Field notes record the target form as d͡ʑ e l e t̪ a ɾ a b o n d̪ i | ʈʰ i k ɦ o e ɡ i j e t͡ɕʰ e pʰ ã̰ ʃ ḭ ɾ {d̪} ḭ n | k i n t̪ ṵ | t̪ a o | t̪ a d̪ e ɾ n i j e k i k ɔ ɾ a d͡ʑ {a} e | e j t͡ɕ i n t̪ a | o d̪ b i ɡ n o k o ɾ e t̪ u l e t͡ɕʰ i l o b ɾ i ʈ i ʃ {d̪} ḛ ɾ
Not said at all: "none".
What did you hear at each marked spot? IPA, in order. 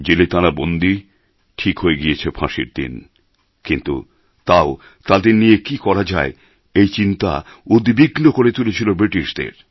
d̪, a, d̪

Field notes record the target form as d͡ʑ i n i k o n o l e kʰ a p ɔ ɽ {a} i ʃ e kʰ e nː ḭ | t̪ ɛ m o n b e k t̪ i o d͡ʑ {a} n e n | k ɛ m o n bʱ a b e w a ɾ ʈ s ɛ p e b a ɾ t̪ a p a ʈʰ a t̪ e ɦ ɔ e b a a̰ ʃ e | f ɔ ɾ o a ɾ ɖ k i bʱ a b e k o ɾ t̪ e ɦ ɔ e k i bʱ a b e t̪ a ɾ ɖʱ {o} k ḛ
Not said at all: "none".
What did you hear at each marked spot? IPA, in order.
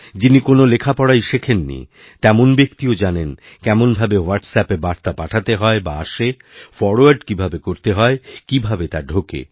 a, a, o

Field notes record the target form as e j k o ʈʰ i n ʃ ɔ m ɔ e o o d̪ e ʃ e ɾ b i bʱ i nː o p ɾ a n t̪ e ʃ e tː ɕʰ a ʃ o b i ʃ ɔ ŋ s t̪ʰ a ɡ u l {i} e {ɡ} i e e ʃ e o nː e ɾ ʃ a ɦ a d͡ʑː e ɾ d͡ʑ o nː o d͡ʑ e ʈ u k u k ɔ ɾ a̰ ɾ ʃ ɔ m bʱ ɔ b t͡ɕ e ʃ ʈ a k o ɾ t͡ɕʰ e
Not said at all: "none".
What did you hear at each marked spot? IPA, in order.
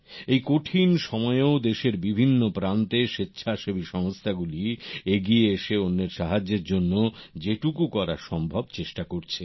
i, ɡ

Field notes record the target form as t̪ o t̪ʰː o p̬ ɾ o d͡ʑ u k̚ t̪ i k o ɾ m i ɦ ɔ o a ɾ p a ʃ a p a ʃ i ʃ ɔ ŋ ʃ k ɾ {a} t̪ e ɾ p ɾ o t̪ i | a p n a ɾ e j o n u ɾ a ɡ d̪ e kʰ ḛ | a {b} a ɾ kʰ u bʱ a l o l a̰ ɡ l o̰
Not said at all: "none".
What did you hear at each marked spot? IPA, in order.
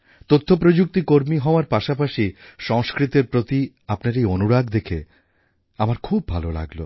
i, m

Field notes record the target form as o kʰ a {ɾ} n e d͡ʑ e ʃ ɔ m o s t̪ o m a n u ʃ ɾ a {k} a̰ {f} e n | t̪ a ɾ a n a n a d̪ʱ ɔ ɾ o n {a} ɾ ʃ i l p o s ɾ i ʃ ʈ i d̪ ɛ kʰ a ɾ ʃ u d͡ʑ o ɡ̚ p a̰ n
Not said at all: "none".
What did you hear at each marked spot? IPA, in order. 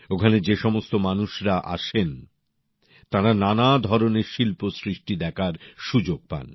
none, ʔ, ʃ, e

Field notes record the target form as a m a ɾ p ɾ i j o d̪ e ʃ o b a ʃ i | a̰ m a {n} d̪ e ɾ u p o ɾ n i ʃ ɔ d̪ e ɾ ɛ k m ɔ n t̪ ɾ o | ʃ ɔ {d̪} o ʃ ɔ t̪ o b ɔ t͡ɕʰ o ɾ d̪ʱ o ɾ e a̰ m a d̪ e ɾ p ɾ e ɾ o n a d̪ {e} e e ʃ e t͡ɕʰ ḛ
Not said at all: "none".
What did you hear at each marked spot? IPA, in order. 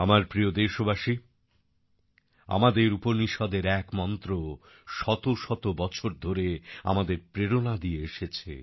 none, t̪, i

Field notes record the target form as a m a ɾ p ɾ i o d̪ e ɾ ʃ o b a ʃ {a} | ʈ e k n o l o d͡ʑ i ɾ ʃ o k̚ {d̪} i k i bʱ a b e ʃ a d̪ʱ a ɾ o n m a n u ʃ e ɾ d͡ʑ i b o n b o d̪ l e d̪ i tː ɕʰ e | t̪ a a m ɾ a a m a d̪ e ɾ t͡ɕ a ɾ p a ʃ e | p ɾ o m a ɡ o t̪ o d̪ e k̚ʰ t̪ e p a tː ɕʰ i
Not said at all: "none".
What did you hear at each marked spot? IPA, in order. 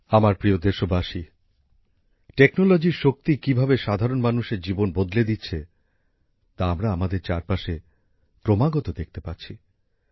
i, t̪

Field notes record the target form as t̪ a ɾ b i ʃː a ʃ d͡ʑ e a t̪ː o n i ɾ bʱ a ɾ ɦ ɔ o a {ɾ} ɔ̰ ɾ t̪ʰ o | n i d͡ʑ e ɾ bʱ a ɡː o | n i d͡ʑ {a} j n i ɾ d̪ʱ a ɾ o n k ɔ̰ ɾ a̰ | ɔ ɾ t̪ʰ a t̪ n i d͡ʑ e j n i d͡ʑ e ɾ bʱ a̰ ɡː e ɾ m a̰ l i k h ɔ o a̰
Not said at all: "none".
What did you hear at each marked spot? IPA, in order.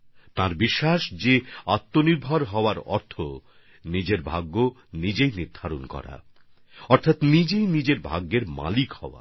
ɾ, e

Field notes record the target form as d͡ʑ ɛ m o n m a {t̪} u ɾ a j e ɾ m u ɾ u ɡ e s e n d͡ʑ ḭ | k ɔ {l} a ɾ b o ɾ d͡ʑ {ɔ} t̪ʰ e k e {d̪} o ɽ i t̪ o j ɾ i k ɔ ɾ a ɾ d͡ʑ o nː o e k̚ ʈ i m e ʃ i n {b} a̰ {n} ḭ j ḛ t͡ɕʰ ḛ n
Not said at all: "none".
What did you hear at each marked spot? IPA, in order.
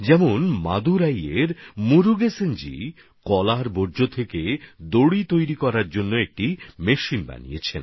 d̪, l, o, d̪, b, n

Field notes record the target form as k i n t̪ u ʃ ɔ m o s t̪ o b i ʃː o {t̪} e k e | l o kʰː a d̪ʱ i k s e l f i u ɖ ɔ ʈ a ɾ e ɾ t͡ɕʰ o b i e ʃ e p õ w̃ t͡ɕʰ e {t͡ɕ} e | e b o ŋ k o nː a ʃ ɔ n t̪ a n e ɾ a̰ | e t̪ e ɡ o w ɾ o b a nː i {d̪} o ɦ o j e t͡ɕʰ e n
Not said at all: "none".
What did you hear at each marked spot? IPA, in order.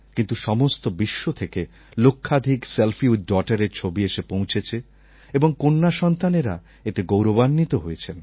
t̪ʰ, t͡ɕʰ, t̪

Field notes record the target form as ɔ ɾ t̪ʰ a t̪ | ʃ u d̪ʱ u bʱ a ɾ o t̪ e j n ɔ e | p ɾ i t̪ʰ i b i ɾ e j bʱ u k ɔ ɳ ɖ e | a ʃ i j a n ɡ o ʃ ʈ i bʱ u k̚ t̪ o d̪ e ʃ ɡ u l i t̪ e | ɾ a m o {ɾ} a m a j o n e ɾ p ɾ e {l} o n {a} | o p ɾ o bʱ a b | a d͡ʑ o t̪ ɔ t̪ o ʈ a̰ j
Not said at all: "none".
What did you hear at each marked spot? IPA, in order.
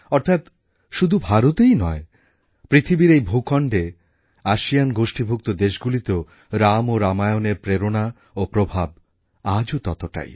ɾ, ɾ, a

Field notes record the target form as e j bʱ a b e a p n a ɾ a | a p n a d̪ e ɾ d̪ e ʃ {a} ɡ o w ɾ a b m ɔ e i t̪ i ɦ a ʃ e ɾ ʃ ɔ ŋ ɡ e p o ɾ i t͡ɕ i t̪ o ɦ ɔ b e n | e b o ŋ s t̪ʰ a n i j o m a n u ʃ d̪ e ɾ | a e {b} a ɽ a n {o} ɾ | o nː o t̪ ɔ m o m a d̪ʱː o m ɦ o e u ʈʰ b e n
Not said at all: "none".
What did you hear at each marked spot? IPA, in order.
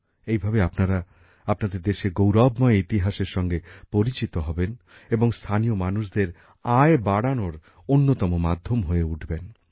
e, b, o

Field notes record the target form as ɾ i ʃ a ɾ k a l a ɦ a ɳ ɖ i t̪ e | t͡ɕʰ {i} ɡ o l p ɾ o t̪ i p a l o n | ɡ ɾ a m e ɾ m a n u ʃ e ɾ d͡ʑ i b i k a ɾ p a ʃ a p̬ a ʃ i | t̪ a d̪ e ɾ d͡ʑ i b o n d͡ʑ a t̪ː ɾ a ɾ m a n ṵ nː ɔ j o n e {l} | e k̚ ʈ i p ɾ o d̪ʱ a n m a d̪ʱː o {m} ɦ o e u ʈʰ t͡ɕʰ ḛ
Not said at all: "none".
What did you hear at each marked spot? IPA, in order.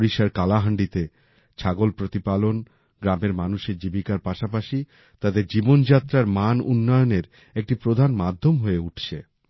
a, ɾ, m

